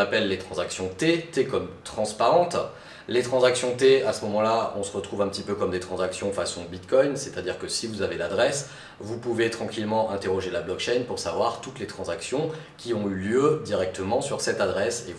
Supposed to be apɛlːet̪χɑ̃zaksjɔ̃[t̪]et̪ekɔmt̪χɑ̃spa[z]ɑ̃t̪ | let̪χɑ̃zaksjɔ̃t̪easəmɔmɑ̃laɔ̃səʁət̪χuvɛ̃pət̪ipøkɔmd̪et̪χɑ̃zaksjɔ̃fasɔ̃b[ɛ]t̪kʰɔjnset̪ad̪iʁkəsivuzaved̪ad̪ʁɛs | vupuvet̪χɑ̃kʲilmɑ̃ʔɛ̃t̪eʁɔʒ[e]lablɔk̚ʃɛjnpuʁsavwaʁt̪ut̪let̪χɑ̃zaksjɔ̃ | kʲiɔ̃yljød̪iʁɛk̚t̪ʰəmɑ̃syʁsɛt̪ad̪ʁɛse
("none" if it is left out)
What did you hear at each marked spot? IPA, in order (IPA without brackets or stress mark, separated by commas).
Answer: t̪, ʁ, i, e